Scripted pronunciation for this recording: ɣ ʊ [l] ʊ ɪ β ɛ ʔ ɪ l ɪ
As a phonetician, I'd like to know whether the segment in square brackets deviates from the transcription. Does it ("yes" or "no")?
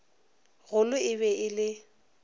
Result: no